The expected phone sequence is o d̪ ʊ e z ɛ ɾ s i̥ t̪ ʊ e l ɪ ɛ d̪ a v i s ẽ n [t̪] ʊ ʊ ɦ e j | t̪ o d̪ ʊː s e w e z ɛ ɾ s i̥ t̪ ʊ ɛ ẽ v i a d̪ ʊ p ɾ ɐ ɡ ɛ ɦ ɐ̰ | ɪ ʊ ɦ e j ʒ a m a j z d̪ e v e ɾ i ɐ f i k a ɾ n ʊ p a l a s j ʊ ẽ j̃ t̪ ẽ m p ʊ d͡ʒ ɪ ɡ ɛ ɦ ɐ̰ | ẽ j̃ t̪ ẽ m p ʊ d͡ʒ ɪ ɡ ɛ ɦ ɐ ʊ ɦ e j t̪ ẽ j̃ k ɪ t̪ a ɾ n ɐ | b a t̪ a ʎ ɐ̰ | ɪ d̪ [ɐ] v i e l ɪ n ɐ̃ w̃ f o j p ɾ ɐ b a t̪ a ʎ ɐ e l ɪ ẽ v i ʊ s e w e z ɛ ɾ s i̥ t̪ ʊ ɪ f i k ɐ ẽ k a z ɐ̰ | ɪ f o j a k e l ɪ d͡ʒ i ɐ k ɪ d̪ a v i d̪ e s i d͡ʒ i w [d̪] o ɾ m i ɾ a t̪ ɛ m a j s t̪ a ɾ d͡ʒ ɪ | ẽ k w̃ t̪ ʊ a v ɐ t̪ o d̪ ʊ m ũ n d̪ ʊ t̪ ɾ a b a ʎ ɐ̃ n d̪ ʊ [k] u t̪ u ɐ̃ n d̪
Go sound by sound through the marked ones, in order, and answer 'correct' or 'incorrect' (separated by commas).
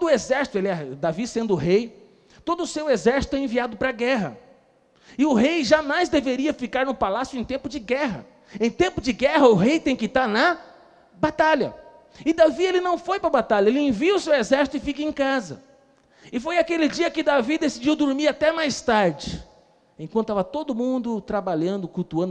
incorrect, incorrect, correct, correct